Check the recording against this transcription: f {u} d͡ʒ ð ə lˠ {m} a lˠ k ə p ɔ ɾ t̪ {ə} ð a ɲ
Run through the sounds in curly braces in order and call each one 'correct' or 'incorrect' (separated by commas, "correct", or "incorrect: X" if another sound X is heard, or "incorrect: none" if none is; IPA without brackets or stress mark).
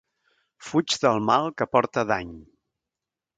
correct, correct, correct